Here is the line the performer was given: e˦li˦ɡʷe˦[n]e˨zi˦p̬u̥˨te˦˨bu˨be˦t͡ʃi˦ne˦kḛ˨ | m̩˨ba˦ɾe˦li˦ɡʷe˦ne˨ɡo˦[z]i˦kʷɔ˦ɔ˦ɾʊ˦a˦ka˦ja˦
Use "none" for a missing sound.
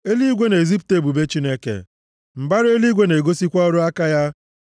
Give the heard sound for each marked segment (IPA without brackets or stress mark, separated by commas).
n, s